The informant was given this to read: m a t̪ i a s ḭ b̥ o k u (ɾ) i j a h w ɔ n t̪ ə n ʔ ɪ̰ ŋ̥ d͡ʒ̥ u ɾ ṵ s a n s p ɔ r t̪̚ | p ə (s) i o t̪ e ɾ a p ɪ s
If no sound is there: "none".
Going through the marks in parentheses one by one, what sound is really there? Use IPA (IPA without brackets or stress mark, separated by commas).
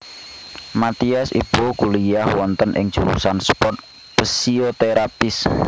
l, s